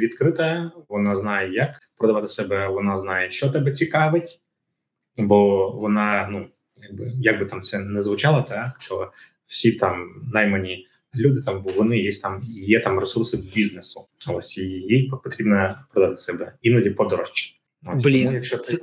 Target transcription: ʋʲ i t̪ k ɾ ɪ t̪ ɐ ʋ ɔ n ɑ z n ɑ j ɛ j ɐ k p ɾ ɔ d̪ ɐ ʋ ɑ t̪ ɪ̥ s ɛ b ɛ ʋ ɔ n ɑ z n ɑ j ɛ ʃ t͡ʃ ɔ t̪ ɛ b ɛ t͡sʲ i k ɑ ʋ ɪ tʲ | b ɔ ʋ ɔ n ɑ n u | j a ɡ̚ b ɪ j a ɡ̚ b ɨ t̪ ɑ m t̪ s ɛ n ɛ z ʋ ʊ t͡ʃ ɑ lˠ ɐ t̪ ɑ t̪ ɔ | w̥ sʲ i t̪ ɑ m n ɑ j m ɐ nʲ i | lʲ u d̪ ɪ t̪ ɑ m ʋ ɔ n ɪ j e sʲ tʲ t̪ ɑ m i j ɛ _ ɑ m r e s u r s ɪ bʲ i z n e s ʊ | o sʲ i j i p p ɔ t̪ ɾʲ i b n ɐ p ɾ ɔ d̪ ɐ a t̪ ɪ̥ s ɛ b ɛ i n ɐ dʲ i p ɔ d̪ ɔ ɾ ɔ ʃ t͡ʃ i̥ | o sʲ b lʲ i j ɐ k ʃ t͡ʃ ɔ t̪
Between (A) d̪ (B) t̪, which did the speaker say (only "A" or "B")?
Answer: B